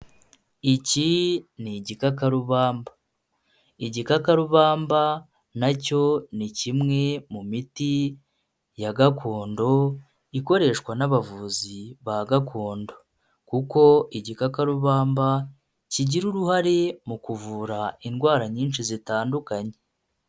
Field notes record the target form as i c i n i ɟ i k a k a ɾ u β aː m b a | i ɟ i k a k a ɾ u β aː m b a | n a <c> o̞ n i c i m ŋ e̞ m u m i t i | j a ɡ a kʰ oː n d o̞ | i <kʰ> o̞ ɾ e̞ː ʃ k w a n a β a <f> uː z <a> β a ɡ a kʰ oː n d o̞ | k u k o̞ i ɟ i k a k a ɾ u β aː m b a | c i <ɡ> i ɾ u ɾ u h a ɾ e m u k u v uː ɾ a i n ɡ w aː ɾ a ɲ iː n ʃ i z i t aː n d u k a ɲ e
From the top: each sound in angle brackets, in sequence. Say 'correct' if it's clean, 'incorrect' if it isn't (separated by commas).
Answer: correct, incorrect, incorrect, incorrect, incorrect